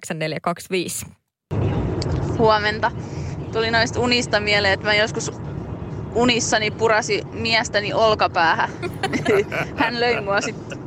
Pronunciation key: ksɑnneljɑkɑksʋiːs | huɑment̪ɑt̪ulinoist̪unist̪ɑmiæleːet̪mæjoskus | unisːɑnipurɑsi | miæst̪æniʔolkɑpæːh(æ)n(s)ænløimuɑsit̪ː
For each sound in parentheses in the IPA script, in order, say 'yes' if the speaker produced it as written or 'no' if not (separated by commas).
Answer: yes, no